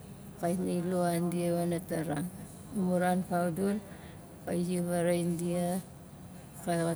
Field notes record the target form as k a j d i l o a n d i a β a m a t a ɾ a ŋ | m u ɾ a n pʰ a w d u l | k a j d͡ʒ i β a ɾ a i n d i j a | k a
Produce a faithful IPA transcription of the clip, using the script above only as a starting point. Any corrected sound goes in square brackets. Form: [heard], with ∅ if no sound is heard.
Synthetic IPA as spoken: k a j [n] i l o a n d i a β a [n] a t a ɾ a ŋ | m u ɾ a n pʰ a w d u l | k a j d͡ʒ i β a ɾ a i n d i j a | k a